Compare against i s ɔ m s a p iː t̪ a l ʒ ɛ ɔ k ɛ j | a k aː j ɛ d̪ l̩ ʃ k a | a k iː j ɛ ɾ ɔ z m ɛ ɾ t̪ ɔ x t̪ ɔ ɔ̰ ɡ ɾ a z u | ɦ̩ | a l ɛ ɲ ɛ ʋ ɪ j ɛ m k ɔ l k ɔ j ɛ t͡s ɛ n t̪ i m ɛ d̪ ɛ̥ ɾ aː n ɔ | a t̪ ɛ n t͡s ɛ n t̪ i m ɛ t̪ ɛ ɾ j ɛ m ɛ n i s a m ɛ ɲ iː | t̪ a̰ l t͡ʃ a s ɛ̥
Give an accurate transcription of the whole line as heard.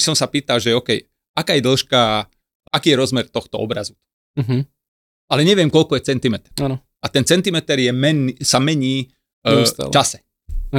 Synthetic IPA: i s ɔ m s a p iː t̪ a l ʒ ɛ ɔ k ɛ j | a k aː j ɛ d̪ l̩ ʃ k a | a k iː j ɛ ɾ ɔ z m ɛ ɾ t̪ ɔ x t̪ ɔ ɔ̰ b ɾ a z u | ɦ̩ | a l ɛ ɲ ɛ ʋ ɪ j ɛ m k ɔ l k ɔ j ɛ t͡s ɛ n t̪ i m ɛ t̪ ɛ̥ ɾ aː n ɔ | a t̪ ɛ n t͡s ɛ n t̪ i m ɛ t̪ ɛ ɾ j ɛ m ɛ n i s a m ɛ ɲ iː | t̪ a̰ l t͡ʃ a s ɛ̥